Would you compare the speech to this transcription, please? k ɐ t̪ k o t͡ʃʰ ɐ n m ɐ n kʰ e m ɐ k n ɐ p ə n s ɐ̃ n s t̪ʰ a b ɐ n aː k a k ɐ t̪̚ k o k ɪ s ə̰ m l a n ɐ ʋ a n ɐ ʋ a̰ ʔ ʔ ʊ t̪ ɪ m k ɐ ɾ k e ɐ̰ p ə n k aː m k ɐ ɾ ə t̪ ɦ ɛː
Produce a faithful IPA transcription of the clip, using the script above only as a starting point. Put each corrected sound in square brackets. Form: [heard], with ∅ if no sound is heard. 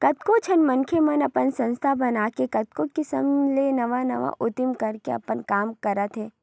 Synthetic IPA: k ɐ t̪ k o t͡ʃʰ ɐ n m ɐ n kʰ e m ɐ [∅] n ɐ p ə n s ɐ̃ n s t̪ʰ a b ɐ n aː k [e] k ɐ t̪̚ k o k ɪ s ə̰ m l [e] n ɐ ʋ a n ɐ ʋ a̰ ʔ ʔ ʊ t̪ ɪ m k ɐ ɾ k e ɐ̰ p ə n k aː m k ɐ ɾ ə t̪ ɦ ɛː

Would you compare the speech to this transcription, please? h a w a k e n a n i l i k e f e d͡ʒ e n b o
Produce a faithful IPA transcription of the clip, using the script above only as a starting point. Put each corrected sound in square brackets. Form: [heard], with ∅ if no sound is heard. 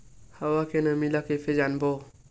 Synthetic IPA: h a w a k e n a [m] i l [a] k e f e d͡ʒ [a] n b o

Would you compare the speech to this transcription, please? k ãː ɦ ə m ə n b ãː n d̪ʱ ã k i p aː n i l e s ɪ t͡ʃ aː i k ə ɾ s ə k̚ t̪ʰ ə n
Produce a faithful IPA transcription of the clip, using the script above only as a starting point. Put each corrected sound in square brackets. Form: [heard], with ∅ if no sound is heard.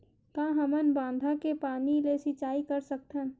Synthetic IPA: k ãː ɦ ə m ə n b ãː n d̪ʱ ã k [e] p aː n i l e s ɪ t͡ʃ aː i k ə ɾ s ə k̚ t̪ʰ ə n

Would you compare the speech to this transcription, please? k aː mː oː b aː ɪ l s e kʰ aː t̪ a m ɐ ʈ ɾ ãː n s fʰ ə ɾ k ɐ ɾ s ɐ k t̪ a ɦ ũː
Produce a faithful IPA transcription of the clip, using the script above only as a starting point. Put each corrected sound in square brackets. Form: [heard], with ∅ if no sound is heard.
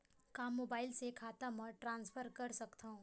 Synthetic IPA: k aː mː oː b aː ɪ l s e kʰ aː t̪ a m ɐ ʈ ɾ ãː n s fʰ ə ɾ k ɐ ɾ s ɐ k t̪ a ɦ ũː

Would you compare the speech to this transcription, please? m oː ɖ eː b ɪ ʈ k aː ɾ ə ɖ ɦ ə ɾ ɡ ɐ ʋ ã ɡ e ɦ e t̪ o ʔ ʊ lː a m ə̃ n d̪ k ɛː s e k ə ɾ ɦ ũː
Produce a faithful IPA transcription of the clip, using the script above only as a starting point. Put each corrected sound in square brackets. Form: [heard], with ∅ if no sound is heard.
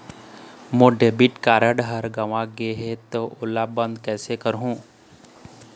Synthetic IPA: m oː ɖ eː b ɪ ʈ k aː ɾ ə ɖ ɦ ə ɾ ɡ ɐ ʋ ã ɡ e ɦ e t̪ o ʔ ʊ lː a [b] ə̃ n d̪ k ɛː s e k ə ɾ ɦ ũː

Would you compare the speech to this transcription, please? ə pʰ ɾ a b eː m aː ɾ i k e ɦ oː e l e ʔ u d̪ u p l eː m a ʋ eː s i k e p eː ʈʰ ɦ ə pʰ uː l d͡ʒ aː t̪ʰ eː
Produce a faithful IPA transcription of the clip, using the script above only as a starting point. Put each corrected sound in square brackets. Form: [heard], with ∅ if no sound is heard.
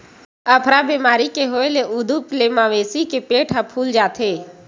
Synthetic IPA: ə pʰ ɾ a b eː m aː ɾ i k e ɦ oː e l e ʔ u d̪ u p l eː m a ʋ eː s i k e p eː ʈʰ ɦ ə pʰ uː l d͡ʒ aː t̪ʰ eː

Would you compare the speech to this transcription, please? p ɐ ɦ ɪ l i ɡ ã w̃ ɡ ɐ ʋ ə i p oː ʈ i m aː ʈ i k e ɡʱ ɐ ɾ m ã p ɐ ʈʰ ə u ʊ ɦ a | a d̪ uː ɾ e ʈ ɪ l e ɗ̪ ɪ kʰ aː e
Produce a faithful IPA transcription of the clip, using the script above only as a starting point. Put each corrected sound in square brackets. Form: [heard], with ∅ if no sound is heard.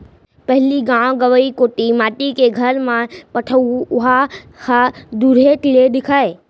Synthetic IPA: p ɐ ɦ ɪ l i ɡ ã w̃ ɡ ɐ ʋ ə i [k] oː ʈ i m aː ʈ i k e ɡʱ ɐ ɾ m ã p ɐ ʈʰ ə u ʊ ɦ a | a d̪ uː ɾ e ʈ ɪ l e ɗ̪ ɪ kʰ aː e

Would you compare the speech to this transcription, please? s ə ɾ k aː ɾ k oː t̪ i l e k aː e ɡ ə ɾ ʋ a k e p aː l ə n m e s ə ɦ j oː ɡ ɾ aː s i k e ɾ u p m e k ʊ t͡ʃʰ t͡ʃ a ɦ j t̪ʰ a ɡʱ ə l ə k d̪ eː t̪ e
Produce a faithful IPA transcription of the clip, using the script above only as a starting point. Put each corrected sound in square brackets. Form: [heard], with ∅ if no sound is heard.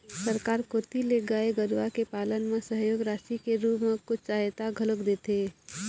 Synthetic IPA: s ə ɾ k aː ɾ k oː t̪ i l e [ɡ] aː e ɡ ə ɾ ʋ a k e p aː l ə n m e s ə ɦ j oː ɡ ɾ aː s i k e ɾ u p m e k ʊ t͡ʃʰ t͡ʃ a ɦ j [t̪] a ɡʱ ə l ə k d̪ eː t̪ e

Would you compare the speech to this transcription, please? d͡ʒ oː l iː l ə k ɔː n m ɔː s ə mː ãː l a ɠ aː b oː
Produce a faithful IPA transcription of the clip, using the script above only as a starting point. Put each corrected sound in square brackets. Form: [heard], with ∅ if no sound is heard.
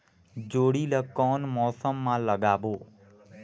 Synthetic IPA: d͡ʒ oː [ɽ] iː l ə k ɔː n m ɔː s ə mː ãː l [ə] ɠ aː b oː

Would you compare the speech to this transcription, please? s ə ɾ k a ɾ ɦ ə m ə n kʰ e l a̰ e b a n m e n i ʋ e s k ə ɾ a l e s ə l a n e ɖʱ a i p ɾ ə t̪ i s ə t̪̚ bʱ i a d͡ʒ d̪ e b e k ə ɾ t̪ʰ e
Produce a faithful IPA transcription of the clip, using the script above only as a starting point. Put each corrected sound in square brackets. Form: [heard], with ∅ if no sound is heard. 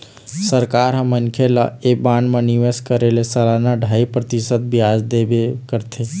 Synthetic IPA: s ə ɾ k a ɾ ɦ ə m ə n kʰ e l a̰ e b a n m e n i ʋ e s k ə ɾ [e] l e s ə l a n [a] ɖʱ a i p ɾ ə t̪ i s ə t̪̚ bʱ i a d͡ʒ d̪ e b e k ə ɾ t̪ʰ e

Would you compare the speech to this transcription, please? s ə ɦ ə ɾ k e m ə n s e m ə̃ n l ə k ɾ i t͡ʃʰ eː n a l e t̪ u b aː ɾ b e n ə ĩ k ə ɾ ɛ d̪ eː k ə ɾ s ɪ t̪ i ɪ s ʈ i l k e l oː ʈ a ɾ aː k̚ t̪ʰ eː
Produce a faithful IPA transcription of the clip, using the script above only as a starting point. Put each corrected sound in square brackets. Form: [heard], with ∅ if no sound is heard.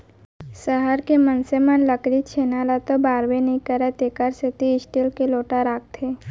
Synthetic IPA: s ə ɦ ə ɾ k e m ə n s e m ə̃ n l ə k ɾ i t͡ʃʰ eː n a l [a] t̪ [o] b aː ɾ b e n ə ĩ k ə ɾ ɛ [t̪] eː k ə ɾ s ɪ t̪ i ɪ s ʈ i l k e l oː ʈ a ɾ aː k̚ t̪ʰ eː

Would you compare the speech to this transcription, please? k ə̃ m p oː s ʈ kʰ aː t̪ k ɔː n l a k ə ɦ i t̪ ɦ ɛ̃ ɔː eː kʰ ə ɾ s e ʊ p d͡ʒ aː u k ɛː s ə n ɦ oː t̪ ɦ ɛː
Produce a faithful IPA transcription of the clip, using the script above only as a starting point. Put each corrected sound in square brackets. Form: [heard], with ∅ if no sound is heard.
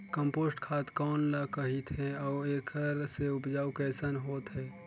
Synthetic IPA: k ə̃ m p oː s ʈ kʰ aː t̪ k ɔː n l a k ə ɦ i t̪ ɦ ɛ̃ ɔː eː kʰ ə ɾ s e ʊ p d͡ʒ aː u k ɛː s ə n ɦ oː t̪ ɦ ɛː

